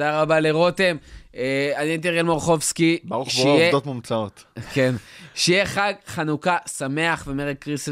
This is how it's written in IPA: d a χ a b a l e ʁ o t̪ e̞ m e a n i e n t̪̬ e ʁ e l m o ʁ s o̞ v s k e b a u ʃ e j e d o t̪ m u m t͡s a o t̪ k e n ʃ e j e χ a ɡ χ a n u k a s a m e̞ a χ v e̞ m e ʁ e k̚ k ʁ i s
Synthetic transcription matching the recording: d a ʁ a b a l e ʁ o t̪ e̞ m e a n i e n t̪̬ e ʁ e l m o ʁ χ o̞ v s k i b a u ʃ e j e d o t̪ m u m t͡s a o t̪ k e n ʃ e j e χ a ɡ χ a n u k a s a m e̞ a χ v e̞ m e ʁ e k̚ k ʁ i s